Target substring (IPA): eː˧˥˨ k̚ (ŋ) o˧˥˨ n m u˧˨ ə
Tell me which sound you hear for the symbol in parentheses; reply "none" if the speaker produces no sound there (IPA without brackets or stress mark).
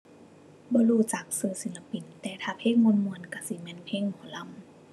ŋ